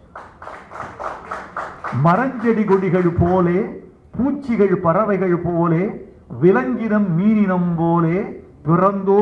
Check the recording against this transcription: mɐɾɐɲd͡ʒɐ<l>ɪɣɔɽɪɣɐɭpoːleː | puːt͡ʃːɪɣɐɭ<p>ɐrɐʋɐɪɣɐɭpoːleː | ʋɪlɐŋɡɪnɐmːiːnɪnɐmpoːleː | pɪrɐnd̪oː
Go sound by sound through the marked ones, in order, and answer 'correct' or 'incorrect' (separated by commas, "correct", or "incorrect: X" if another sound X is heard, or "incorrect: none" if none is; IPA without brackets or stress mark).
incorrect: ɽ, correct